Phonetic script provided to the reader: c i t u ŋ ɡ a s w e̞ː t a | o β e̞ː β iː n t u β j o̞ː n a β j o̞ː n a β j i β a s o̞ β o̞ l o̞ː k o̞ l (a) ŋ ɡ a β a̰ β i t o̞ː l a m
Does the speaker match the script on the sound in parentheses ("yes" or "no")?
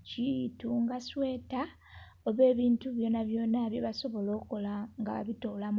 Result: yes